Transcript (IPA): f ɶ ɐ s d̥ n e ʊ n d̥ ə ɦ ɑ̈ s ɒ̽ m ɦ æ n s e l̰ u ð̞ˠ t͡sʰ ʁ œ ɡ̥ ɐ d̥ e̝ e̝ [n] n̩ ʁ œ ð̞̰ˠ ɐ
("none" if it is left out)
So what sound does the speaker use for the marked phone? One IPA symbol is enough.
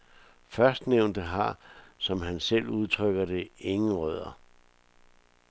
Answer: ŋ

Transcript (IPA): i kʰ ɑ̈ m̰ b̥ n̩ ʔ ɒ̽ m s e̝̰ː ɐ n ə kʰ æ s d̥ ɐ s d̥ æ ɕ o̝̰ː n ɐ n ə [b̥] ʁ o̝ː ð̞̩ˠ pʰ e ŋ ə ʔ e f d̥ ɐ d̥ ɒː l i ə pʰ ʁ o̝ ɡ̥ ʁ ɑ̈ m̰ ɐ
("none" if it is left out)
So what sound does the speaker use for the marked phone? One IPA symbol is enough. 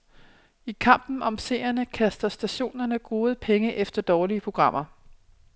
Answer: ɡ̥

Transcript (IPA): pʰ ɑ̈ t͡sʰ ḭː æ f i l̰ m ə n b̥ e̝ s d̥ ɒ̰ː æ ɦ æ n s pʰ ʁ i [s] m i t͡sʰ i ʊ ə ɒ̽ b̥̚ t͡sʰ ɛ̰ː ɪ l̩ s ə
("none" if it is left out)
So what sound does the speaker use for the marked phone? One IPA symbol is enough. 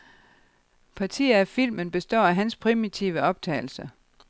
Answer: none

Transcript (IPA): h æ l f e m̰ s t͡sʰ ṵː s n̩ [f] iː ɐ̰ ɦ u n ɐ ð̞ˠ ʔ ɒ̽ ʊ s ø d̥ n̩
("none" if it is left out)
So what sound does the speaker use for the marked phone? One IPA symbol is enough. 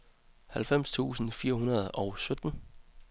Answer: f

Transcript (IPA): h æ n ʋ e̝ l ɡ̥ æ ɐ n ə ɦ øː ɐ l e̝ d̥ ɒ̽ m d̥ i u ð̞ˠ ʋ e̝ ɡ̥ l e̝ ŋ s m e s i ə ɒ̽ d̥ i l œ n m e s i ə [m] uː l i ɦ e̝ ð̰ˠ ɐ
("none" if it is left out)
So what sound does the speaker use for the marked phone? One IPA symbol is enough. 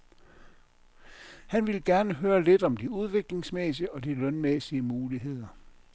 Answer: m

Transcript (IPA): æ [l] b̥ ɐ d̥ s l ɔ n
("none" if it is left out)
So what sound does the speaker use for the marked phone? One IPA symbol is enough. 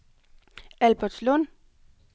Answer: l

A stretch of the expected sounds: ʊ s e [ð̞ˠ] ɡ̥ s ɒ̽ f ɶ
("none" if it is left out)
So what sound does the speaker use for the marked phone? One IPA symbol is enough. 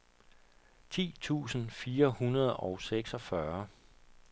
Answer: none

